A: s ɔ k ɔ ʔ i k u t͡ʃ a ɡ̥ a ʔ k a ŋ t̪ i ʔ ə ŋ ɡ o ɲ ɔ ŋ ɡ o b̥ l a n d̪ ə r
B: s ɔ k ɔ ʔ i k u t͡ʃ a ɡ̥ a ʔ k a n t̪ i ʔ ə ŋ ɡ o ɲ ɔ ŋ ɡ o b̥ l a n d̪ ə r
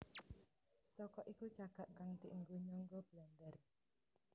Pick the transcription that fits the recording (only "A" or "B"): A